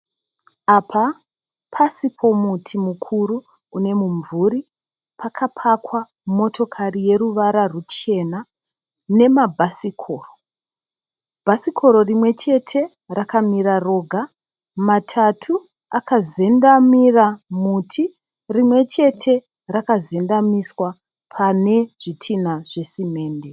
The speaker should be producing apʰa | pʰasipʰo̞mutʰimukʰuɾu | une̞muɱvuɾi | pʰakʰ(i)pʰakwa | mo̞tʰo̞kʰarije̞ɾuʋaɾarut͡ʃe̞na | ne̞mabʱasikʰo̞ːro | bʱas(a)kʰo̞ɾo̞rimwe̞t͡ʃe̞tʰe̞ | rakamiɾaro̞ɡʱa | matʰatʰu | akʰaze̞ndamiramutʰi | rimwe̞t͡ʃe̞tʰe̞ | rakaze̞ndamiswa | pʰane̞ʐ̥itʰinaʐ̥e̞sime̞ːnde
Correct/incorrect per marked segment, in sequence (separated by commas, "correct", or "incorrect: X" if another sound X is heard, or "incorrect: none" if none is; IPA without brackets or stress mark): incorrect: a, incorrect: i